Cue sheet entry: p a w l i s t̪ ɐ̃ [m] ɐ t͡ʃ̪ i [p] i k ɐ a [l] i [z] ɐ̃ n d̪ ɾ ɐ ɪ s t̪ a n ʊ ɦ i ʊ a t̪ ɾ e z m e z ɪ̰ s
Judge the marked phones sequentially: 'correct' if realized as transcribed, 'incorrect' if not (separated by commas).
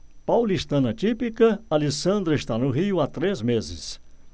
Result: incorrect, correct, correct, incorrect